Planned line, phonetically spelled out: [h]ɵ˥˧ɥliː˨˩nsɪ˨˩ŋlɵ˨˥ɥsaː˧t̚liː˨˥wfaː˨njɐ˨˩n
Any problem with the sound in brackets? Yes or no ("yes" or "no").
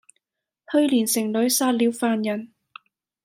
no